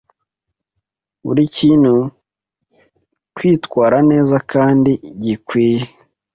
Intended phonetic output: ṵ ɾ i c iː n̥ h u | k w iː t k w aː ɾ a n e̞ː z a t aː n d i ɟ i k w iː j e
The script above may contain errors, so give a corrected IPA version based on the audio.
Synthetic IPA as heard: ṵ ɾ i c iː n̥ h u | k w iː t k w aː ɾ a n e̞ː z a k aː n d i ɟ i k w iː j e